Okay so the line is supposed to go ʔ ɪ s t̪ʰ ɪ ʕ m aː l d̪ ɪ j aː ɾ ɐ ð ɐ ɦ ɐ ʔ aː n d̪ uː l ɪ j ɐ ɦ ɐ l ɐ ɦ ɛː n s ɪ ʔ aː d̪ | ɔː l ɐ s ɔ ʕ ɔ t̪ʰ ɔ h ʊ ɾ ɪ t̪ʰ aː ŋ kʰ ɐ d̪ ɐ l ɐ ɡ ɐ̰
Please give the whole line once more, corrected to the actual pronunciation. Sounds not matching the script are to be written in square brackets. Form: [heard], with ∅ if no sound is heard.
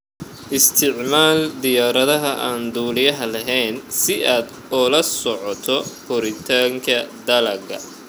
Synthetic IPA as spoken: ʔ ɪ s t̪ʰ ɪ ʕ m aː l d̪ ɪ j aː ɾ ɐ ð ɐ ɦ ɐ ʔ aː n d̪ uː l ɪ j ɐ ɦ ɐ l ɐ ɦ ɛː n s ɪ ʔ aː d̪ | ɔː l ɐ s ɔ ʕ ɔ t̪ʰ ɔ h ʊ ɾ ɪ t̪ʰ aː ŋ kʰ ɐ d̪ ɐ l ɐ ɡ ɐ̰